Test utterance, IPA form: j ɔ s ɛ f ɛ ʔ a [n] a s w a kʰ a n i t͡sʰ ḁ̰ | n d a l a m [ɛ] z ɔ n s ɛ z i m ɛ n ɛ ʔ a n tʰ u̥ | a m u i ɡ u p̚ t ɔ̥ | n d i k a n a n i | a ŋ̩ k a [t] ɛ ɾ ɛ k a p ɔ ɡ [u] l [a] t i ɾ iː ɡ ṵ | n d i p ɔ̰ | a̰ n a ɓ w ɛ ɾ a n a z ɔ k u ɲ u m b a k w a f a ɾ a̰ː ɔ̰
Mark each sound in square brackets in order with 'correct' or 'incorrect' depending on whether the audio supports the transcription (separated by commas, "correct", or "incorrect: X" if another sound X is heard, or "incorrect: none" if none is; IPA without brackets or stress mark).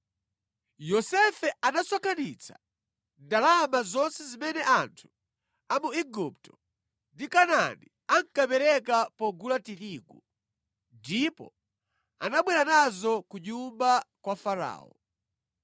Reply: correct, incorrect: a, incorrect: p, correct, correct